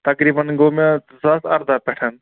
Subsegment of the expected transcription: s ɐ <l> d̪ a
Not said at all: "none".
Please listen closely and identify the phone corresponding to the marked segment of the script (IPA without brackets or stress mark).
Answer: ɾ